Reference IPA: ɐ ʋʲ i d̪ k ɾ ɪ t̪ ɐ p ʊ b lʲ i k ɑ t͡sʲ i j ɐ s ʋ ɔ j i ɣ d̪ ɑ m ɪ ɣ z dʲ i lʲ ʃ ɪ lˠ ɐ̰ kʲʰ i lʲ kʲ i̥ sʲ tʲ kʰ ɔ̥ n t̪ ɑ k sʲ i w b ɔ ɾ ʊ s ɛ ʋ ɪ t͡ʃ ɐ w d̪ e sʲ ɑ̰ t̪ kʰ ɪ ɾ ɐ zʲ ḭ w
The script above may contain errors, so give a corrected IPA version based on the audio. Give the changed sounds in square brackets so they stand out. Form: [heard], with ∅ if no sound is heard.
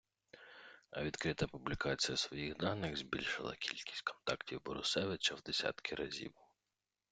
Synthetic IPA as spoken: ɐ ʋʲ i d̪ k ɾ ɪ t̪ ɐ p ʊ b lʲ i k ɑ t͡sʲ i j ɐ s ʋ ɔ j i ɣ d̪ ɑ [n] ɪ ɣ z [bʲ] i lʲ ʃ ɪ lˠ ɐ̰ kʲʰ i lʲ kʲ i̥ sʲ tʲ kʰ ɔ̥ n t̪ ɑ k [tʲ] i w b ɔ ɾ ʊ s ɛ ʋ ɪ t͡ʃ ɐ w d̪ e sʲ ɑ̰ t̪ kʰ ɪ ɾ ɐ zʲ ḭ w